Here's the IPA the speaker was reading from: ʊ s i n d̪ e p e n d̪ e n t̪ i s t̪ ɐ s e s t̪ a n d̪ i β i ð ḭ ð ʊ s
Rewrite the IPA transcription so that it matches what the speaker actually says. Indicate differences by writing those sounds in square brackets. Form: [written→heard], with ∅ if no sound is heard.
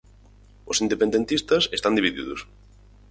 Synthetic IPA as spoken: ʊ s i n d̪ e p e n d̪ e n t̪ i s t̪ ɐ s e s t̪ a n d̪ i β i ð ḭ ð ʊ s

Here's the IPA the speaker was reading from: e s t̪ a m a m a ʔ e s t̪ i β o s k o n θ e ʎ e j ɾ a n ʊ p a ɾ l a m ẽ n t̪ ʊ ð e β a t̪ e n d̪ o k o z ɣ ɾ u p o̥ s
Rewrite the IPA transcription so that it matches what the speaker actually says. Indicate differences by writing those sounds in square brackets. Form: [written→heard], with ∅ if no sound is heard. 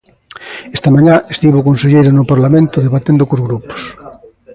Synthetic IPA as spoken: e s t̪ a m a [m→ɲ] a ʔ e s t̪ i β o [s→∅] k o n [θ→s] e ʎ e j ɾ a n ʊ p a ɾ l a m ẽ n t̪ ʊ ð e β a t̪ e n d̪ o k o z ɣ ɾ u p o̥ s

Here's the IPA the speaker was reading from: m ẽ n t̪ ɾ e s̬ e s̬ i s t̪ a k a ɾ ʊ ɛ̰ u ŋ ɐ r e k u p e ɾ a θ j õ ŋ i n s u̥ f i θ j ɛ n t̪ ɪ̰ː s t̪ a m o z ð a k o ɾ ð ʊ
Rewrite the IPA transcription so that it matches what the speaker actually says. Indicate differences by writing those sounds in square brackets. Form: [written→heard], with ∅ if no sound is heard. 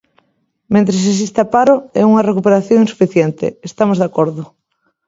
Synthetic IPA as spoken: m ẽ n t̪ ɾ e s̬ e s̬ i s t̪ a [k→p] a ɾ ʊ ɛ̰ u ŋ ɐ r e k u p e ɾ a θ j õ ŋ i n s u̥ f i θ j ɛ n t̪ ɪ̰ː s t̪ a m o z ð a k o ɾ ð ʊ

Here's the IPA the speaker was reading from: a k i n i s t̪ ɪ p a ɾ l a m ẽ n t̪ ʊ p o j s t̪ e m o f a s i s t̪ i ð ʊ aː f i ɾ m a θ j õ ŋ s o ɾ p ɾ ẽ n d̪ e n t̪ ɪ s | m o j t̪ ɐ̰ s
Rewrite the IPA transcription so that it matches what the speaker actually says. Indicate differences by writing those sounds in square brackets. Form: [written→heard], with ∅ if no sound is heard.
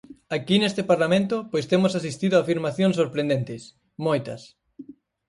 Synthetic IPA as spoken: a k i n [i→e] s t̪ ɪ p a ɾ l a m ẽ n t̪ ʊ p o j s t̪ e m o [f→s] a s i s t̪ i ð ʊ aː f i ɾ m a θ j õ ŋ s o ɾ p ɾ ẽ n d̪ e n t̪ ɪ s | m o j t̪ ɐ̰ s

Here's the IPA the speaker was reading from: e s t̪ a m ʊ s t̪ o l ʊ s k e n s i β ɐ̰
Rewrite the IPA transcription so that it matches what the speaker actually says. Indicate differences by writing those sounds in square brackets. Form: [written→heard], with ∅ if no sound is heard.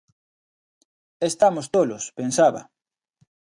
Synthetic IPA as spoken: e s t̪ a m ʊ s t̪ o l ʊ s [k→p] e n s [i→a] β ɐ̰

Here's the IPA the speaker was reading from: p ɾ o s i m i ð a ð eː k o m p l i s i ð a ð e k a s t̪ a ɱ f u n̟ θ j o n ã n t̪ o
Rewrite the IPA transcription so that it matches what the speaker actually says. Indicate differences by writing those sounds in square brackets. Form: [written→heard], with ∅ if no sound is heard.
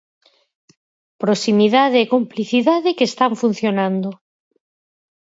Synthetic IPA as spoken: p ɾ o s i m i ð a ð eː k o m p l i [s→θ] i ð a ð e k [a→e] s t̪ a ɱ f u n̟ θ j o n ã n [t̪→d̪] o

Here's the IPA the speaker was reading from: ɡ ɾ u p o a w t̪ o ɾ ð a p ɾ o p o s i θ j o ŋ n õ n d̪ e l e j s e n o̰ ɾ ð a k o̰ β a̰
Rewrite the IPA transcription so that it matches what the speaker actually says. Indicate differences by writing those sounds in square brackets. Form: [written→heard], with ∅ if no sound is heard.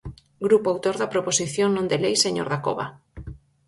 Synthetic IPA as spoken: ɡ ɾ u p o a w t̪ o ɾ ð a p ɾ o p o s i θ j o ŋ n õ n d̪ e l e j s e [n→ɲ] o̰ ɾ ð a k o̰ β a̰

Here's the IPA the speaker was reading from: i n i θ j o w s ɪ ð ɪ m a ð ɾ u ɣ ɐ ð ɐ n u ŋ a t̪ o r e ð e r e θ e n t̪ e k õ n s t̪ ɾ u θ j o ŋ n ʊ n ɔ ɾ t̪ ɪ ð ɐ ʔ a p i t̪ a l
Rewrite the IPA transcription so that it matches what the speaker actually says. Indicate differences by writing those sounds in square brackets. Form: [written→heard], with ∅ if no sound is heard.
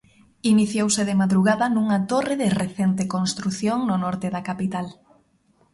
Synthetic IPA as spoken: i n i θ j o w s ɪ ð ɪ m a ð ɾ u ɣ [ɐ→a] ð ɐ n u ŋ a t̪ o r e ð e r e θ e n t̪ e k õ n s t̪ ɾ u θ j o ŋ n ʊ n ɔ ɾ t̪ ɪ ð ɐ [ʔ→k] a p i t̪ a l

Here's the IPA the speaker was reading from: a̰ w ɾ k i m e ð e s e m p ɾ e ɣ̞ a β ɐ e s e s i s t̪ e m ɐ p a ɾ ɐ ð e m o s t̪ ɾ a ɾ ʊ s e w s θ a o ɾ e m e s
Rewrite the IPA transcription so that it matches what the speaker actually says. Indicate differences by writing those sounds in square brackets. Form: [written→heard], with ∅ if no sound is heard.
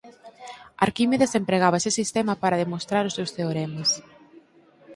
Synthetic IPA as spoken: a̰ [w→∅] ɾ k i m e ð e s e m p ɾ e ɣ̞ a β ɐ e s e s i s t̪ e m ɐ p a ɾ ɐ ð e m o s t̪ ɾ a ɾ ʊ s e w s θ [a→e] o ɾ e m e s

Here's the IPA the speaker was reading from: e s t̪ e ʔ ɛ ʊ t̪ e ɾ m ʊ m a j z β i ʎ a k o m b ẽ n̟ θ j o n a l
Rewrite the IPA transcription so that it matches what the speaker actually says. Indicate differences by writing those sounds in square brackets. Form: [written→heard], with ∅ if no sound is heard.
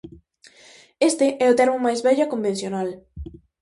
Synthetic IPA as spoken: e s t̪ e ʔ ɛ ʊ t̪ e ɾ m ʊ m a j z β [i→ɛ] ʎ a k o m b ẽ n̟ θ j o n a l

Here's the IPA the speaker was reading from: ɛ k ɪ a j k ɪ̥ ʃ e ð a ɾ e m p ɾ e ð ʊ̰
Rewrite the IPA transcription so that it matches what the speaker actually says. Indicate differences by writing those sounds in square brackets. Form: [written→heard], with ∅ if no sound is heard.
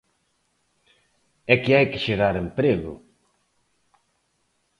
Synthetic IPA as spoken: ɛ k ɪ a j k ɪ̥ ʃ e [ð→ɣ] a ɾ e m p ɾ e [ð→ɣ] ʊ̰

